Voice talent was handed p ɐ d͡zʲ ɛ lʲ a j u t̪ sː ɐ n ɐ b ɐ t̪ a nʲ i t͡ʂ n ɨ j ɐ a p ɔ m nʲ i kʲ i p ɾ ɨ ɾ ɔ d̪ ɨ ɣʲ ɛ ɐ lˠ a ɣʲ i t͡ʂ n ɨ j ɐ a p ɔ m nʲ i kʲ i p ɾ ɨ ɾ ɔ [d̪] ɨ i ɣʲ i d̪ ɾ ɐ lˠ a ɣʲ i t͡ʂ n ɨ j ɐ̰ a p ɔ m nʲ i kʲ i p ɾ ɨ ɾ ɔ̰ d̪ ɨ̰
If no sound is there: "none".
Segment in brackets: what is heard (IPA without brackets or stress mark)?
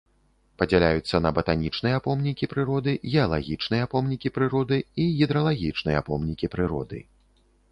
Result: d̪